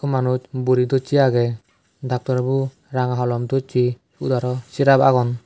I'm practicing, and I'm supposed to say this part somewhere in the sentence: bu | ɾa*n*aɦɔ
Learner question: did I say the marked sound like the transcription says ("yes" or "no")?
no